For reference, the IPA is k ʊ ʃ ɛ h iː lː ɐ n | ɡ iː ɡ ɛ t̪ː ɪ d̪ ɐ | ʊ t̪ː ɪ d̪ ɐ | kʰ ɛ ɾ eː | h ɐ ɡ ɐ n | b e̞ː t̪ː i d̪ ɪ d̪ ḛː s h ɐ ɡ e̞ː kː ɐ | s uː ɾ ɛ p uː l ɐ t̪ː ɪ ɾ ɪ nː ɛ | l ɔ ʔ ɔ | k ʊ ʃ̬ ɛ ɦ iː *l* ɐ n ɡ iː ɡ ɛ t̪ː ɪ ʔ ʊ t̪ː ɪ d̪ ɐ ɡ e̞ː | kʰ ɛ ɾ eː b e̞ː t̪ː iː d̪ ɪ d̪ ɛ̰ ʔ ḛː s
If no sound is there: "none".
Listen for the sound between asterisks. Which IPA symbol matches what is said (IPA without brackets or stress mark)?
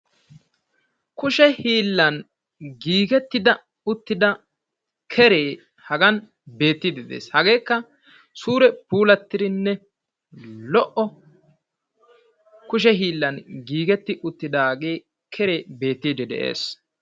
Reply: lː